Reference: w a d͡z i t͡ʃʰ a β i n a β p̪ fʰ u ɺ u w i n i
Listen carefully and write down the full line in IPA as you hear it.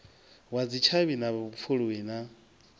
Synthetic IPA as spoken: w a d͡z i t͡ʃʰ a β i n a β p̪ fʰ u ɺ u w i n a

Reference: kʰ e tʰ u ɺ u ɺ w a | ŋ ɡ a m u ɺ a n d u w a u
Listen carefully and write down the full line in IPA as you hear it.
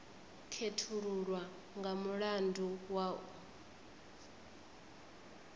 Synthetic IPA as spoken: kʰ e tʰ u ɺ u ɺ w a | ŋ ɡ a m u ɺ a n d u w a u

